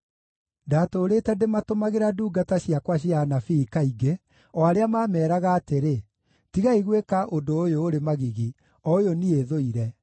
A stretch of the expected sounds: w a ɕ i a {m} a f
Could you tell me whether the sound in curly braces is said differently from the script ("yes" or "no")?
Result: yes